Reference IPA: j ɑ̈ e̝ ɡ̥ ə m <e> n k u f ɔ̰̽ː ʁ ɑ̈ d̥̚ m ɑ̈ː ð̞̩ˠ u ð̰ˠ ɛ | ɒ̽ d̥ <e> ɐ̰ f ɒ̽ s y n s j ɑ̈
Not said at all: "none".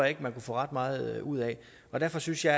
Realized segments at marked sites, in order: æ, æ

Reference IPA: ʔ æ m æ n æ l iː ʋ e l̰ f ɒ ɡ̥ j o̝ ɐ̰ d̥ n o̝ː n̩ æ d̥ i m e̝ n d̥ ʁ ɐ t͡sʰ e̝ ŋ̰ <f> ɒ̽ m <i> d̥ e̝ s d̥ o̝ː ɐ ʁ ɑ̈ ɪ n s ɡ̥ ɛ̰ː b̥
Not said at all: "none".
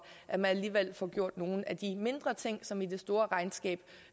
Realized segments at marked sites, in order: s, i

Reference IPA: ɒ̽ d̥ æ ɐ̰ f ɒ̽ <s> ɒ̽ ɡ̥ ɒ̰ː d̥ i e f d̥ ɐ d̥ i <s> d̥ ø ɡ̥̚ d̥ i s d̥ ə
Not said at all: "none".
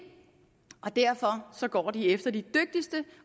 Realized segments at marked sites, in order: s, none

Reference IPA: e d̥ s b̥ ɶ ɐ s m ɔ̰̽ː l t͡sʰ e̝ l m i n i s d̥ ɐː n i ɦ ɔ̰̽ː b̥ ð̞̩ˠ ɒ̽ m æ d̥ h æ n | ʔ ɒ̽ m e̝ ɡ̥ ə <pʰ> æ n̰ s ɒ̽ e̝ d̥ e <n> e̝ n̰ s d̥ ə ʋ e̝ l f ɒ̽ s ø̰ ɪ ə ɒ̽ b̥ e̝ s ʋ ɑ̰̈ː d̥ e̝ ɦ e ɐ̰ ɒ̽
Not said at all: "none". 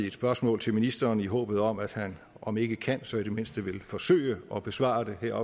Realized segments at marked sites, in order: kʰ, m

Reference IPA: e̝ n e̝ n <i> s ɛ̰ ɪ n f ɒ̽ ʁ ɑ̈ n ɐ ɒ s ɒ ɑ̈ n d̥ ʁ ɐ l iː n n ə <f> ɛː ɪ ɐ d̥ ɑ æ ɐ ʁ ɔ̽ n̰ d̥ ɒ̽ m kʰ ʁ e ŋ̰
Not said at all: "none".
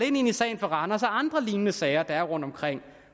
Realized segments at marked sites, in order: i, s

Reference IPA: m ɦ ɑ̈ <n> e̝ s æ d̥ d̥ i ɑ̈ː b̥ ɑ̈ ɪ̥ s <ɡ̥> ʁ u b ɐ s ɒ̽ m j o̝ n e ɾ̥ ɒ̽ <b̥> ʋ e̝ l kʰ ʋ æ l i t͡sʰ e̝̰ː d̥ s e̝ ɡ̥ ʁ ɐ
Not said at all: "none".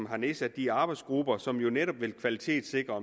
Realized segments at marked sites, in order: n, ɡ̥, b̥

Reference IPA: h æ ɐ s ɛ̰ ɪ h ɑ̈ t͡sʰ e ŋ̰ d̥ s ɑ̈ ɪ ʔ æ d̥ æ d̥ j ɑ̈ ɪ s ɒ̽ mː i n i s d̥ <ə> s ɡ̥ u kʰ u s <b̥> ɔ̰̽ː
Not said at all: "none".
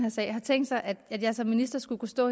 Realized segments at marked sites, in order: ɐ, d̥

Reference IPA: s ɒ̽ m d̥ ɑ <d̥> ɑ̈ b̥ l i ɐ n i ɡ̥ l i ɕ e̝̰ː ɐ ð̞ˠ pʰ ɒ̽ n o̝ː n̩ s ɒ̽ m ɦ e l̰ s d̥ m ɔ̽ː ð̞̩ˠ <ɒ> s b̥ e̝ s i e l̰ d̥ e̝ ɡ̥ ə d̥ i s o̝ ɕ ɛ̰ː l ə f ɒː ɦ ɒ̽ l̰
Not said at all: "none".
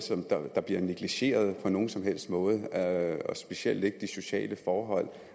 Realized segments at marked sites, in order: d̥, ɒ

